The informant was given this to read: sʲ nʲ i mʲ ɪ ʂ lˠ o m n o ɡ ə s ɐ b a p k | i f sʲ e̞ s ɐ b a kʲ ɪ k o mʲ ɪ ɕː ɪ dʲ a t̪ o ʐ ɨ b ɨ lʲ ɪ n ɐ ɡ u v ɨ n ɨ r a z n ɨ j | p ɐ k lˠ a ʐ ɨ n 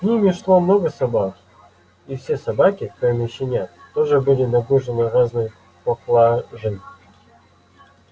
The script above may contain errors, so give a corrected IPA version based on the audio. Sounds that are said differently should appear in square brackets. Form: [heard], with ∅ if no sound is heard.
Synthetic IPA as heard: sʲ nʲ i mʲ ɪ ʂ lˠ o m n o ɡ ə s ɐ b a [∅] k | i f sʲ e̞ s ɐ b a kʲ ɪ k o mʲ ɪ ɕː ɪ [nʲ] a t̪ o ʐ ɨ b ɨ lʲ ɪ n ɐ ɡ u [ʐ] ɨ n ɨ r a z n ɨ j | p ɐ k lˠ a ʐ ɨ n